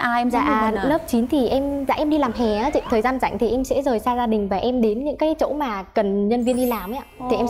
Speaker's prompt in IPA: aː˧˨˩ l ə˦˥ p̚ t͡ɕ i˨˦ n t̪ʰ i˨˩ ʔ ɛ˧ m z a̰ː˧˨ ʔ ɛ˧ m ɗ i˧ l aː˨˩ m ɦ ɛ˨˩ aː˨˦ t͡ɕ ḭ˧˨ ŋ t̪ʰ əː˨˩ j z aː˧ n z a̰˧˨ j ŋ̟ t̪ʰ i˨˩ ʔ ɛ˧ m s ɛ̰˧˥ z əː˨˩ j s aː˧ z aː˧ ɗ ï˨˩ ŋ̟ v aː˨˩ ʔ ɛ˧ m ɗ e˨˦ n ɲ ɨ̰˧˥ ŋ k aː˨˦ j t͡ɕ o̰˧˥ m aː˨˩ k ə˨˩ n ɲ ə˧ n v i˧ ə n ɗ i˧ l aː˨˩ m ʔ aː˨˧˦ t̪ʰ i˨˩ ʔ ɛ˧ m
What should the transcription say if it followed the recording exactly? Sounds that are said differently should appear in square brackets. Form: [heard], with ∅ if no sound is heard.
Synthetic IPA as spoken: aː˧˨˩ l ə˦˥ p̚ t͡ɕ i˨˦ n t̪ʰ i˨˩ ʔ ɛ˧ m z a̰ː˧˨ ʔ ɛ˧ m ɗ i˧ l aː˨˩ m ɦ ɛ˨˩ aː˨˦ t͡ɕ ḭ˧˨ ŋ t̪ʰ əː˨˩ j z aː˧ n z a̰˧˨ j ŋ̟ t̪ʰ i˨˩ ʔ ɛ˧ m s ɛ̰˧˥ z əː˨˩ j s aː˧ z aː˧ ɗ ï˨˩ ŋ̟ v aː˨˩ ʔ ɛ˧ m ɗ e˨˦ n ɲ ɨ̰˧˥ ŋ k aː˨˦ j t͡ɕ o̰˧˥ m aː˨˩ k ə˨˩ n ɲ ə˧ n v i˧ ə n ɗ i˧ l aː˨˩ m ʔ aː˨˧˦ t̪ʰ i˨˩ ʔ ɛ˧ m